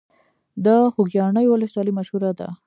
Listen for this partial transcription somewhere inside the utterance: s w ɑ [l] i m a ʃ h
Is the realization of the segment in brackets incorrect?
no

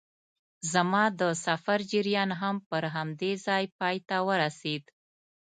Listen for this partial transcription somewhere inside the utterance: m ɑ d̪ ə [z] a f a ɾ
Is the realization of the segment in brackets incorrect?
yes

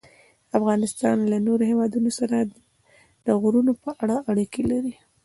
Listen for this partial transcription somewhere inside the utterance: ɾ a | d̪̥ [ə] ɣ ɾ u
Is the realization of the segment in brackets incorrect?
no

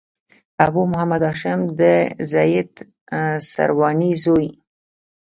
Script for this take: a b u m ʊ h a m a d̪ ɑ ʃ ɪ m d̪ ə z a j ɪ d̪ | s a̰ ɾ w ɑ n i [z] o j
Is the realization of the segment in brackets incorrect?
no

